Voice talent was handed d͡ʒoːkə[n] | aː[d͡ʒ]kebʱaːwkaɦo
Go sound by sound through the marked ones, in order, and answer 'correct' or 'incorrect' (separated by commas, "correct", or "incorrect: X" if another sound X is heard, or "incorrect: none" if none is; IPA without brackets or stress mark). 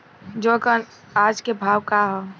correct, correct